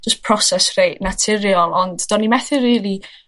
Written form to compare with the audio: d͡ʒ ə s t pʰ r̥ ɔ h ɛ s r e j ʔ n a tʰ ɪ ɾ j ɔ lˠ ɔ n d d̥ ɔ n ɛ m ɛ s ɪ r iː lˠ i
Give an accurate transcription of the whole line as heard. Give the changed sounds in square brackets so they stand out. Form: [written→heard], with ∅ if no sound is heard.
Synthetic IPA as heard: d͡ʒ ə s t pʰ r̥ ɔ [h→s] ɛ s r e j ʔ n a tʰ ɪ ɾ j ɔ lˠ ɔ n d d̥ ɔ n [ɛ→i] m ɛ [s→θ] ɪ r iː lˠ i

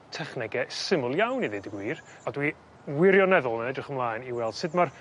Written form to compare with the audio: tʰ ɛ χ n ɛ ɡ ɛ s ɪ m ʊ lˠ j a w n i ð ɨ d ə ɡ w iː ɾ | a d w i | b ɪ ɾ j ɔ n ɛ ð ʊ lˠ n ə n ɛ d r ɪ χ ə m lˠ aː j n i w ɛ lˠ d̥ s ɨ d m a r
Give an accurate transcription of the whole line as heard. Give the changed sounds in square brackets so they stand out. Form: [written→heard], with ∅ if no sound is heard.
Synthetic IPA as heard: tʰ ɛ χ n ɛ ɡ ɛ s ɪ m ʊ lˠ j a w n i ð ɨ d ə ɡ w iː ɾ | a d w i | [b→w] ɪ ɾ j ɔ n ɛ ð ʊ lˠ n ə n ɛ d r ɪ χ ə m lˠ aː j n i w ɛ lˠ d̥ s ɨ d m a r

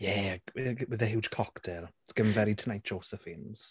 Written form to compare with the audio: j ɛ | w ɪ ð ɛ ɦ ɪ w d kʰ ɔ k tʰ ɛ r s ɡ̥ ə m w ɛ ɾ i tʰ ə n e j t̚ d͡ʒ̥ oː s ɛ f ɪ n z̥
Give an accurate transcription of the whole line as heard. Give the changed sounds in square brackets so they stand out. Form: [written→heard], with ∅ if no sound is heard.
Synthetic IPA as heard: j ɛ | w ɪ ð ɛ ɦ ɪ w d kʰ ɔ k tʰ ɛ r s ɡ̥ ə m [w→v] ɛ ɾ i tʰ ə n [e→a] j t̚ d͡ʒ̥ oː s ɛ f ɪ n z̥

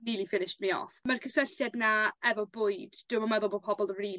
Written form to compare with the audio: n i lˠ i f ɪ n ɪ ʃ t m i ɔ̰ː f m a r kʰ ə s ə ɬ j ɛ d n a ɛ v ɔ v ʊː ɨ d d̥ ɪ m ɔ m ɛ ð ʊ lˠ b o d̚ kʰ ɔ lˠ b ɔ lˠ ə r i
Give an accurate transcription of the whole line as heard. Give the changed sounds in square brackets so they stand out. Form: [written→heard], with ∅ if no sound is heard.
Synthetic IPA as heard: n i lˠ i f ɪ n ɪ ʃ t m i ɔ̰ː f m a r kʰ ə s ə ɬ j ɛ d n a ɛ v ɔ [v→b] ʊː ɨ d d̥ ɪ m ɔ m ɛ ð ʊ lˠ b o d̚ [kʰ→pʰ] ɔ [lˠ→∅] b ɔ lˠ ə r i

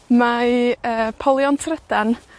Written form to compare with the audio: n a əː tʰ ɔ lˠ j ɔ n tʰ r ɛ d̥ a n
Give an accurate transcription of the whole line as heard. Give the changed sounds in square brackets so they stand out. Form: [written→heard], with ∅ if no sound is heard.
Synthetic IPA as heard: [n→m] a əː [tʰ→pʰ] ɔ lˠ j ɔ n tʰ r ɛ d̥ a n

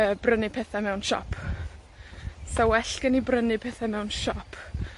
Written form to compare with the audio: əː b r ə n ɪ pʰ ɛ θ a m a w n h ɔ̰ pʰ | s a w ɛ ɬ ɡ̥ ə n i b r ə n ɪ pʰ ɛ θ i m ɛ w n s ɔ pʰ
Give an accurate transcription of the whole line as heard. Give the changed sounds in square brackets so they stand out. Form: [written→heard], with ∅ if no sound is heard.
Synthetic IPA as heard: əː b r ə n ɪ pʰ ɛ θ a m [a→ɛ] w n [h→ʃ] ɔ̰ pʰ | s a w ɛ ɬ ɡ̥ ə n i b r ə n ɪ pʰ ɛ θ [i→a] m ɛ w n [s→ʃ] ɔ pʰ

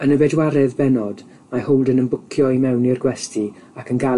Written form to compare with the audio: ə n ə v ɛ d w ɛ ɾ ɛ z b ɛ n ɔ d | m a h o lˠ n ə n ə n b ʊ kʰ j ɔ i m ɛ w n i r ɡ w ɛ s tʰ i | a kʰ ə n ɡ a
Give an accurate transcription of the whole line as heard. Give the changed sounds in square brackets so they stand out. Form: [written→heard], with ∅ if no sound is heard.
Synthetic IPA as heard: ə n ə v ɛ d w [ɛ→a] ɾ ɛ [z→ð] b ɛ n ɔ d | m a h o lˠ [n→d] ə n ə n b ʊ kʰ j ɔ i m ɛ w n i r ɡ w ɛ s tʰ i | a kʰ ə n ɡ a

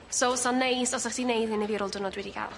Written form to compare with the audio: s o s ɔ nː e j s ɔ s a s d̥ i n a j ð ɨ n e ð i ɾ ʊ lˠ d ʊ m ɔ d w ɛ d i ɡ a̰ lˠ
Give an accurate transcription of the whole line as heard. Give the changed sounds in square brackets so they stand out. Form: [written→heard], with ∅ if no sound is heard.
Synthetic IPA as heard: s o s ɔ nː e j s ɔ s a [s→χ] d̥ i n [a→e] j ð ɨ n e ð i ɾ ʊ lˠ d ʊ [m→n] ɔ d w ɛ d i ɡ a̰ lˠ

